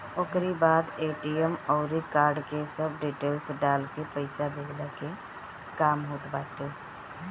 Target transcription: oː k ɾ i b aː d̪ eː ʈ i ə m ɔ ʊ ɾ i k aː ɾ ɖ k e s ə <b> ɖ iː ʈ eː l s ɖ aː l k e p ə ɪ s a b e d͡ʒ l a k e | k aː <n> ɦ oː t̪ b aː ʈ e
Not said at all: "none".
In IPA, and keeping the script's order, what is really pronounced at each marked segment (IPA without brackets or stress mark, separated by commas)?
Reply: b, m